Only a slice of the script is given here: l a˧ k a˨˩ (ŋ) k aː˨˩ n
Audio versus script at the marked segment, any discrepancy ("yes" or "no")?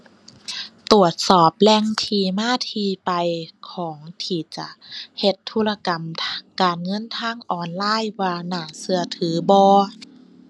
yes